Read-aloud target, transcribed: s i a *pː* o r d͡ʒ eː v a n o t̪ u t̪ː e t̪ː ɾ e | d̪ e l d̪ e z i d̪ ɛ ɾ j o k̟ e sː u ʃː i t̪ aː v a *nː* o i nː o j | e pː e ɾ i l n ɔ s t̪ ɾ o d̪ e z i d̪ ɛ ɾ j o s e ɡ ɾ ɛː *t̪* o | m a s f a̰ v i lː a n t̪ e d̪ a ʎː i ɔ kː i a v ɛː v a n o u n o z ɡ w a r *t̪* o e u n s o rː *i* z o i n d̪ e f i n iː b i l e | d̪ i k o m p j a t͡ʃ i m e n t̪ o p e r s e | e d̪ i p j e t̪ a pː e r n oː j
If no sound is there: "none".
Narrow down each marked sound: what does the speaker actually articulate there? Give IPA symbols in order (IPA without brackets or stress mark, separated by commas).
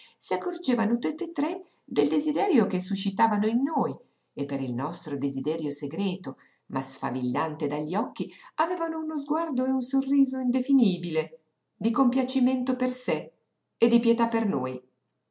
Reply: kː, n, t̪, d̪, iː